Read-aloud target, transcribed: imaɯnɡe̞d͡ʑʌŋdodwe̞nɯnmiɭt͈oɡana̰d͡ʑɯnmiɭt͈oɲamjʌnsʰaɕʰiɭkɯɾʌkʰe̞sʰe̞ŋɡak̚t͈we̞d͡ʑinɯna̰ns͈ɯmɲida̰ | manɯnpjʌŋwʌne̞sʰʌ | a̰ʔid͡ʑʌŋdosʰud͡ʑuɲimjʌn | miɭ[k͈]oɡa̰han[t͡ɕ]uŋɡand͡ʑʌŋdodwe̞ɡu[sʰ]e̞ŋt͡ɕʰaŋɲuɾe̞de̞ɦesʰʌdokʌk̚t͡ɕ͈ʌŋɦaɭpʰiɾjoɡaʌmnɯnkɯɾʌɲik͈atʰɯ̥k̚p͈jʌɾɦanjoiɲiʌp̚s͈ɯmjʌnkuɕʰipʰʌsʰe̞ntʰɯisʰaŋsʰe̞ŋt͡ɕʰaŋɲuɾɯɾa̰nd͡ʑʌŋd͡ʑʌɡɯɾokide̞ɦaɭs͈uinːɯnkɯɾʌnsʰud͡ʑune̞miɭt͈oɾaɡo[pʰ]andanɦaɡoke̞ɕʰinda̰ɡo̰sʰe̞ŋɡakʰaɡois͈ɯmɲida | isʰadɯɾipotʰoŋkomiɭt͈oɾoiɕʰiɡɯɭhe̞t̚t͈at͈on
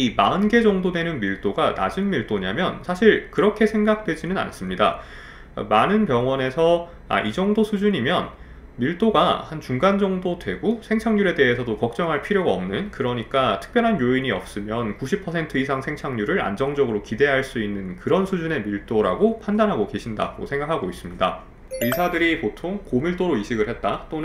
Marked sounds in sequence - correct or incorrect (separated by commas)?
incorrect, correct, correct, correct